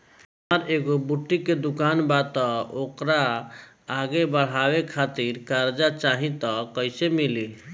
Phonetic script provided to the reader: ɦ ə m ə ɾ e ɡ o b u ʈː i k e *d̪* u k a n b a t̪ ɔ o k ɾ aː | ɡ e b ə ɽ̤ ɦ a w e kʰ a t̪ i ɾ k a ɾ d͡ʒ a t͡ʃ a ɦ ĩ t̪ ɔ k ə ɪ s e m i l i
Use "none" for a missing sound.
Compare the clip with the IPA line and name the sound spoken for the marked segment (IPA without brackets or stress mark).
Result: d̪